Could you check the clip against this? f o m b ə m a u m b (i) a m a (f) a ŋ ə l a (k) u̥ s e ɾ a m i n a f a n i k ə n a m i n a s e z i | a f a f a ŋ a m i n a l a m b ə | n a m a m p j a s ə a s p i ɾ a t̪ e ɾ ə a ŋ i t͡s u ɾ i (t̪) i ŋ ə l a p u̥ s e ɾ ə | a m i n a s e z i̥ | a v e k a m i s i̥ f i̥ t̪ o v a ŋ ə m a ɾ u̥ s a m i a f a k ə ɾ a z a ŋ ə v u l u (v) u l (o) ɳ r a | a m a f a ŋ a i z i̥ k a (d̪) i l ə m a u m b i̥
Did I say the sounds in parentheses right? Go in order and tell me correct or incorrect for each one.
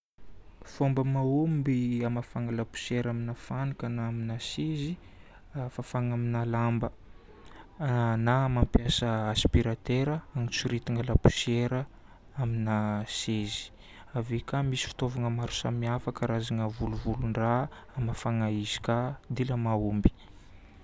correct, correct, incorrect: p, correct, correct, incorrect: u, correct

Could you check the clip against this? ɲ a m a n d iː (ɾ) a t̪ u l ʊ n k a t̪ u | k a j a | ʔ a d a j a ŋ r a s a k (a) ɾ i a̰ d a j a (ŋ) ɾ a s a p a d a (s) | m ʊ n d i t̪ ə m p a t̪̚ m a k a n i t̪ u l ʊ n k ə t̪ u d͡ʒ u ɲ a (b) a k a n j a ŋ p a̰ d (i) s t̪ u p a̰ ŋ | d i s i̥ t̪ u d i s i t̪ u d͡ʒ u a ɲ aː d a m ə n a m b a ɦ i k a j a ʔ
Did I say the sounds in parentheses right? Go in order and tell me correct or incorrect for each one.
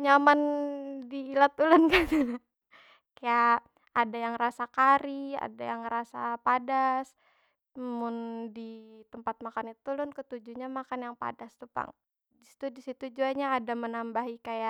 incorrect: l, correct, correct, correct, incorrect: m, incorrect: a

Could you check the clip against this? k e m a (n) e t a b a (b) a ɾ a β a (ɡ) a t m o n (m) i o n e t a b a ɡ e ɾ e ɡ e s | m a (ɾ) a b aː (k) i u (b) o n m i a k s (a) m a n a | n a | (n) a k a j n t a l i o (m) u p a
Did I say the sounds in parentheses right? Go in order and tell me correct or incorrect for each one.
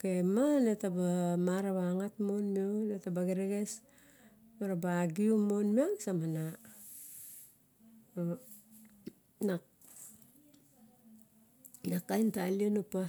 correct, incorrect: m, incorrect: ŋ, correct, correct, incorrect: ɡ, incorrect: m, correct, correct, incorrect: n

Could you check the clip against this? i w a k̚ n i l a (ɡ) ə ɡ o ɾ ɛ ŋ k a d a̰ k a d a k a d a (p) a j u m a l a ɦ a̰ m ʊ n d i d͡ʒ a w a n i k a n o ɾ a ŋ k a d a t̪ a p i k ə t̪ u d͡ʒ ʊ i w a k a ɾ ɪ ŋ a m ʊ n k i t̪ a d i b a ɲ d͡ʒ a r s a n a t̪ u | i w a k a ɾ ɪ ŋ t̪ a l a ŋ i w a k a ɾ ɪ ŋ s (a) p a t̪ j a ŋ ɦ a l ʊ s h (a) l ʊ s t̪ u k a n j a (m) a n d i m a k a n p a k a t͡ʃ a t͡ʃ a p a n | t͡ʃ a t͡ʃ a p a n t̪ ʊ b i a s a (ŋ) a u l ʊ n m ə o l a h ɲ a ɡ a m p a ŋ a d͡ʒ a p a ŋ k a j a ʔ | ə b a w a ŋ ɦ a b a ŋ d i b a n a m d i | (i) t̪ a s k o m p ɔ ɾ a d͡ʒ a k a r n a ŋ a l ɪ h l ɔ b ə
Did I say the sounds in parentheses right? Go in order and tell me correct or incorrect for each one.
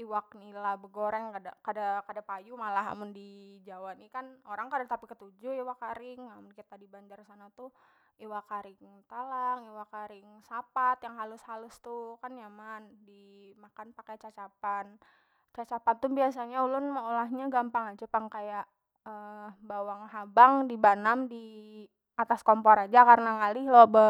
incorrect: b, correct, correct, correct, correct, incorrect: ɲ, incorrect: a

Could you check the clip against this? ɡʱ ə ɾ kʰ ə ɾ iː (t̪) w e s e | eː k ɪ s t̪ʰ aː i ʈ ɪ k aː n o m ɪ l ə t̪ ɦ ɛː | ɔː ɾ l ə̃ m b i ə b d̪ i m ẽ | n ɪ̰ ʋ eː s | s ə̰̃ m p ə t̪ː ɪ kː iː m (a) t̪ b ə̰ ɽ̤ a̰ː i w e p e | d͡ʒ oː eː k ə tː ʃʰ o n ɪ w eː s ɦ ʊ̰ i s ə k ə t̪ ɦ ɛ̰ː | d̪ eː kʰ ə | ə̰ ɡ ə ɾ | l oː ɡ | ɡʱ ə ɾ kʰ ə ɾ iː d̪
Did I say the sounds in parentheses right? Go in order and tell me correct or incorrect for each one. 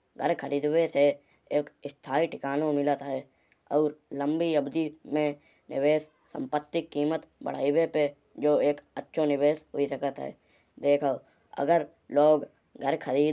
incorrect: d̪, incorrect: ə

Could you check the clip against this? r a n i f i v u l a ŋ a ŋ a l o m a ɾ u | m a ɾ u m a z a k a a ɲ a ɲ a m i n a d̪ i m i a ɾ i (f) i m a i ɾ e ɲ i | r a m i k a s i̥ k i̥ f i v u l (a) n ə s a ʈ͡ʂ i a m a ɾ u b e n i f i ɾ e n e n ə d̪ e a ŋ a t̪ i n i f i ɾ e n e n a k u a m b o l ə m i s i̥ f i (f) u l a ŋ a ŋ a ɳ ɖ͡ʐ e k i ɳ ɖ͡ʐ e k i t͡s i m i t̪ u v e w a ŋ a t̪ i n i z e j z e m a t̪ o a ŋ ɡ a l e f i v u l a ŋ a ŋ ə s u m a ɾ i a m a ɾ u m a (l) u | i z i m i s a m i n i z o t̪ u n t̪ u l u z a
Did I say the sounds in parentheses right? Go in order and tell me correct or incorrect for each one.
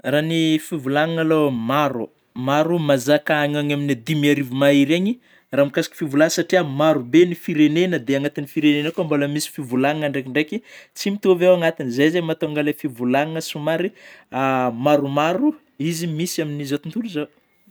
incorrect: v, correct, incorrect: v, incorrect: ɾ

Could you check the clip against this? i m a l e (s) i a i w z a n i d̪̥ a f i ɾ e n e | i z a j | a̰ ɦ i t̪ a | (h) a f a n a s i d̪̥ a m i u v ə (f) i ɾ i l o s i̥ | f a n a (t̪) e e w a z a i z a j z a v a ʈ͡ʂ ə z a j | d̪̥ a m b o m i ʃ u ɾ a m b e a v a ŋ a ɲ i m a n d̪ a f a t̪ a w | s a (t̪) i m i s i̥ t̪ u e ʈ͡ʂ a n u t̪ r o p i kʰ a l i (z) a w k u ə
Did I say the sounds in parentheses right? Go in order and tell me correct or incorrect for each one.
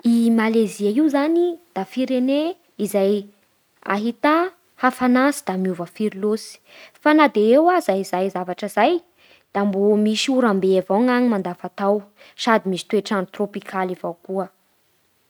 incorrect: z, correct, correct, incorrect: d̪, incorrect: d̪, incorrect: v

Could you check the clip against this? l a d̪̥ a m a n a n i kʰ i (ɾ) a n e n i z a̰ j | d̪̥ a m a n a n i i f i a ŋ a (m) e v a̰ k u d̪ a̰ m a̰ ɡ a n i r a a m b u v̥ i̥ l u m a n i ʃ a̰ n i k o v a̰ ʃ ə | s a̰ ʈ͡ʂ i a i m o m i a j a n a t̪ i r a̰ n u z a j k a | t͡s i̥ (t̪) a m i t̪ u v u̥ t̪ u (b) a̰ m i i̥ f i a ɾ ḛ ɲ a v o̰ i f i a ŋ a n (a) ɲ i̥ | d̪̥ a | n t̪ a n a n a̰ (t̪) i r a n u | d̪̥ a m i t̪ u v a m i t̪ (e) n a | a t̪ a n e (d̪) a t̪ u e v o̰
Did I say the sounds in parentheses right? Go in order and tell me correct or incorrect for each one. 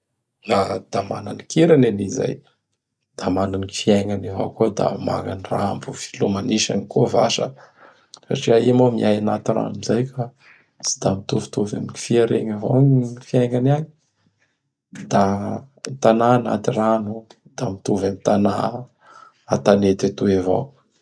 correct, incorrect: n, incorrect: d̪, incorrect: v, correct, correct, incorrect: a, incorrect: t̪

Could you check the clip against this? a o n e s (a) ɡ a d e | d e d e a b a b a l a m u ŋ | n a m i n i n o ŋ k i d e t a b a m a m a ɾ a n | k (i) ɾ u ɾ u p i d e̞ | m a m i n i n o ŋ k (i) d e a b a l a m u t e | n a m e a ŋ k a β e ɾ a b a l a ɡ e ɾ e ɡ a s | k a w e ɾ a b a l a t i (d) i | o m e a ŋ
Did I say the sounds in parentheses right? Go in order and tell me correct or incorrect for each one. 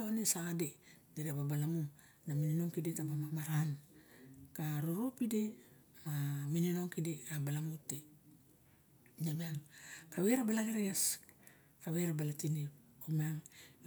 correct, incorrect: a, correct, incorrect: n

